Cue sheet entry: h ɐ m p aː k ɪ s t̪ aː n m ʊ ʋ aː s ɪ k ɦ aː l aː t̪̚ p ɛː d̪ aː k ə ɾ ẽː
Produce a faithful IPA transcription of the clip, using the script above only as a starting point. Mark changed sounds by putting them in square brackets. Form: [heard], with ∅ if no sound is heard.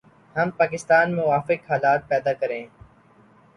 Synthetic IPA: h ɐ m p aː k ɪ s t̪ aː n m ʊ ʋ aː [f] ɪ k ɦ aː l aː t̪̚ p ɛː d̪ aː k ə ɾ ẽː